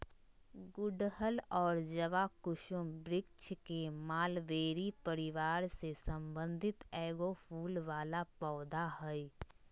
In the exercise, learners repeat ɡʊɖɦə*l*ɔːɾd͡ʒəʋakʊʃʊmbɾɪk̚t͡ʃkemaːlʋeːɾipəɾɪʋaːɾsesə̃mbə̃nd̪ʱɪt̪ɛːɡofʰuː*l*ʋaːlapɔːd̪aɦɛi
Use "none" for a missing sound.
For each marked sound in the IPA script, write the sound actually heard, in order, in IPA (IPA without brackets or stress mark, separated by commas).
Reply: l, l